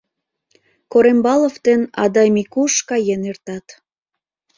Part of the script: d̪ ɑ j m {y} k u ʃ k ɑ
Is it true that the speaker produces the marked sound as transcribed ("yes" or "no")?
no